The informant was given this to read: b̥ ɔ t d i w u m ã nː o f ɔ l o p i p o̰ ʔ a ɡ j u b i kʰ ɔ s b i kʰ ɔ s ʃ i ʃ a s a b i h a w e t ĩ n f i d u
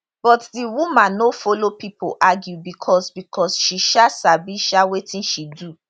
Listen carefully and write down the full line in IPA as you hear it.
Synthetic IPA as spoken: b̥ ɔ t d i w u m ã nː o f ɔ l o p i p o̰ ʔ a ɡ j u b i kʰ ɔ s b i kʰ ɔ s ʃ i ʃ a s a b i ʃ a w e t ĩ n ʃ i d u

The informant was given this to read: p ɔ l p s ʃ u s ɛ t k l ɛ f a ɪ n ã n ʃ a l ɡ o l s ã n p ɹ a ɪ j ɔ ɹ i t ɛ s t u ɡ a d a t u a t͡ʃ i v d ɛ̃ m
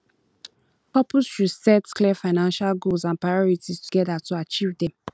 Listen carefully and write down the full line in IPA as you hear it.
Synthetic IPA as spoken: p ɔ p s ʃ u s ɛ t k l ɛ f a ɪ n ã n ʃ a l ɡ o l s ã n p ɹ a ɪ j ɔ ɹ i t i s t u ɡ ɛ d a t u a t͡ʃ i v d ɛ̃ m

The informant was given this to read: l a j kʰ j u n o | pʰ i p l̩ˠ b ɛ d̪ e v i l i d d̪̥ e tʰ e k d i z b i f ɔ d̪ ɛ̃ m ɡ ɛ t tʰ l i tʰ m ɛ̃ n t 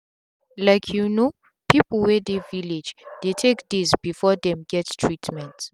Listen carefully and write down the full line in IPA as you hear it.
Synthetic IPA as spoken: l a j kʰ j u n o | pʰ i p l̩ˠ w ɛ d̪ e v i l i d͡ʒ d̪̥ e tʰ e k d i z b i f ɔ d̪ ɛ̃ m ɡ ɛ t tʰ ɹ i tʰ m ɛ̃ n t

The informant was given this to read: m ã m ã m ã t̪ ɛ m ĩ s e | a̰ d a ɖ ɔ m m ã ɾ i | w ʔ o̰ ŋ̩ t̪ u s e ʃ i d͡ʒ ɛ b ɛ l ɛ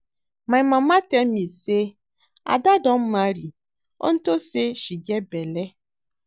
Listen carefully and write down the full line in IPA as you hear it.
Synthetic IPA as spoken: m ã m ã m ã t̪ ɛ m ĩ s e | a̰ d a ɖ ɔ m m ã ɾ i | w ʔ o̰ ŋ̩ t̪ o s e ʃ i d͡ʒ ɛ b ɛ l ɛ

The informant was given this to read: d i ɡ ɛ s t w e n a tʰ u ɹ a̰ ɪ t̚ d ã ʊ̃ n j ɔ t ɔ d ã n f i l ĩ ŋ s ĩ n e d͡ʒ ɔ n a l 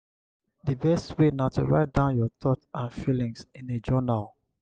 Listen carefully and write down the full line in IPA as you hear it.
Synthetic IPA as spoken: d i b ɛ s t w e n a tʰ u ɹ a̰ ɪ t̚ d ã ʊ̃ n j ɔ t ɔ t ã n f i l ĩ ŋ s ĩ n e d͡ʒ ɔ n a l

